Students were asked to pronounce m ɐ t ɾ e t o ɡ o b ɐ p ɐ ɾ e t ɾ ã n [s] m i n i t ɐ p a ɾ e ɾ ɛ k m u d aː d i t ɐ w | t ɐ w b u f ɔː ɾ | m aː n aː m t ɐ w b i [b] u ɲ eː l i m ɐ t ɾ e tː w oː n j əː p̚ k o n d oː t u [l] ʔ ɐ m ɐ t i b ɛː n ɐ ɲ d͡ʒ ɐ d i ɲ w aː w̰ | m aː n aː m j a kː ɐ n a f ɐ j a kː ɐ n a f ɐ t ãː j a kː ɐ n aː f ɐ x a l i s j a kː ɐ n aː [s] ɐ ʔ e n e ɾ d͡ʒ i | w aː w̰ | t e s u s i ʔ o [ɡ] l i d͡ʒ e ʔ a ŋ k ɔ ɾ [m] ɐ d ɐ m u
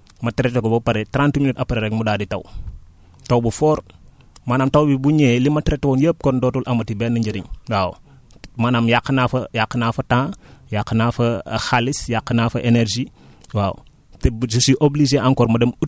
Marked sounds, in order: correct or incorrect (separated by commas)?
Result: incorrect, correct, correct, incorrect, incorrect, correct